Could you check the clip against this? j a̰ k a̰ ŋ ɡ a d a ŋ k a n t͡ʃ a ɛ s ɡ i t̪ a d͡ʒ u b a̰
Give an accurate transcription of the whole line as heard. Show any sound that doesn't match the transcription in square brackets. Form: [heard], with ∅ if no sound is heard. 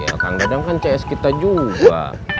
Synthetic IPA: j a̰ k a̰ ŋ ɡ a d a ŋ k a n t͡ʃ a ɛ s [k] i t̪ a d͡ʒ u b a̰